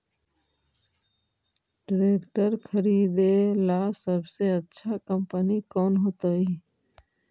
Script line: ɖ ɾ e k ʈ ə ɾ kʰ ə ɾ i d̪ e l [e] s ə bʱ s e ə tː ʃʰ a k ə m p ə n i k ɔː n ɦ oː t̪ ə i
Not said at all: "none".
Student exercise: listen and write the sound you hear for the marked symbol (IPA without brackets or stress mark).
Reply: a